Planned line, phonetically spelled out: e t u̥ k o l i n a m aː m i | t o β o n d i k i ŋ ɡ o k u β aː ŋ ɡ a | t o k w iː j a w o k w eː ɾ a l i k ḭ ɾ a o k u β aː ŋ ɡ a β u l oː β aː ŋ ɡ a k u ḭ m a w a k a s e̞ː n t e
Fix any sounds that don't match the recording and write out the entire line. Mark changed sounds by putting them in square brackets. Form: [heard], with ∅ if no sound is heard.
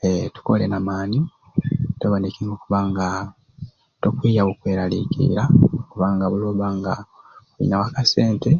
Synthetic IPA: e t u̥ k o l [e] n a m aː [n] i | t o β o n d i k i ŋ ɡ o k u β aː ŋ ɡ a | t o k w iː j a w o k w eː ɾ a l i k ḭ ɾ a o k u β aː ŋ ɡ a β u l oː β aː ŋ ɡ a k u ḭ [n] a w a k a s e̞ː n t e